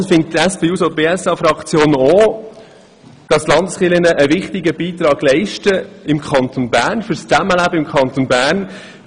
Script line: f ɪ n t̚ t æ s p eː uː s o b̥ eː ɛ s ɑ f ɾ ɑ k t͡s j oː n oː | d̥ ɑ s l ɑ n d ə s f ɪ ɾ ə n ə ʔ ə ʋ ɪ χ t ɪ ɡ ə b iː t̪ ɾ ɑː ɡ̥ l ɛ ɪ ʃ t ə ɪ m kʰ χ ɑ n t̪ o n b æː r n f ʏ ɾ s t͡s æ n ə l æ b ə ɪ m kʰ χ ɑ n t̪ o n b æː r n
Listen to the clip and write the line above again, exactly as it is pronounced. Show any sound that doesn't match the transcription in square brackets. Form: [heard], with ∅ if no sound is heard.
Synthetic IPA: f ɪ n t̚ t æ s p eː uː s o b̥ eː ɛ s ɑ f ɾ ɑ k t͡s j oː n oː | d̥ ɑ s l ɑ n d ə s [χ] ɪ [l] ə n ə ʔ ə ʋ ɪ χ t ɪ ɡ ə b iː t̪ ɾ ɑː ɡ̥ l ɛ ɪ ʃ t ə ɪ m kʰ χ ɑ n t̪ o n b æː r n f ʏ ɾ s t͡s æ [m] ə l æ b ə ɪ m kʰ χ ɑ n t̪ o n b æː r n